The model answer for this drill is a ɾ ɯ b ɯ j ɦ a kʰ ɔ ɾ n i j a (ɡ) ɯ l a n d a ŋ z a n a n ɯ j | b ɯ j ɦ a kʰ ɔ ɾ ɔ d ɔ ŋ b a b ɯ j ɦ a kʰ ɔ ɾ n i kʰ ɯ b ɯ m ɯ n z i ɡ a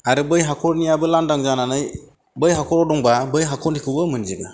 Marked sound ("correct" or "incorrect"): incorrect